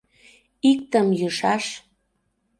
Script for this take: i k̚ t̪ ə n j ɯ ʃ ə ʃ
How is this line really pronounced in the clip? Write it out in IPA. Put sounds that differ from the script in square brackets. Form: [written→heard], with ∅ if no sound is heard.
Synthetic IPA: i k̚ t̪ ə [n→m] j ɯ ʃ [ə→ɑ] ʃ